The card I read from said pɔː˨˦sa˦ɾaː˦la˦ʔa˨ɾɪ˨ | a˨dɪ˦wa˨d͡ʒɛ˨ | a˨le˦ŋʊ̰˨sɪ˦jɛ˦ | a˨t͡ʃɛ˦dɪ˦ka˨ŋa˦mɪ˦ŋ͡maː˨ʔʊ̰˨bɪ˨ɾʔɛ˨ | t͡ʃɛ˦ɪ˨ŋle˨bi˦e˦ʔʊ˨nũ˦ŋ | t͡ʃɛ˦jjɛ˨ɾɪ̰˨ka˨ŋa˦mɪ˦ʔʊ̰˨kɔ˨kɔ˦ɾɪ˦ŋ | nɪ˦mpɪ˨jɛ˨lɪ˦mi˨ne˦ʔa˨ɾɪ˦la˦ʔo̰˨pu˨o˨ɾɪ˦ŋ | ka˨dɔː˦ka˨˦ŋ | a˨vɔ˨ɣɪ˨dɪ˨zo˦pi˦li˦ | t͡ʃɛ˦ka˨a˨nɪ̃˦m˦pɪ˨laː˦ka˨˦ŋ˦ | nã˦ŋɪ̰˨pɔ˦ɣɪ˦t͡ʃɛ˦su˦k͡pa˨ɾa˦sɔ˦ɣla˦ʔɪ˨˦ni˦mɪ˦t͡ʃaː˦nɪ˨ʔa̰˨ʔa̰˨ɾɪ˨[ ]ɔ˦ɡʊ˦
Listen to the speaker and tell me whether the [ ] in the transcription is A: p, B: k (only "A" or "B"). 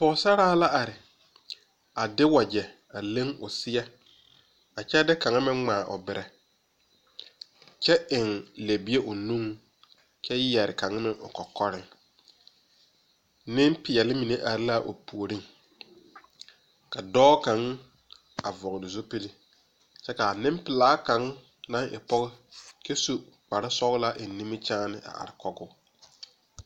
B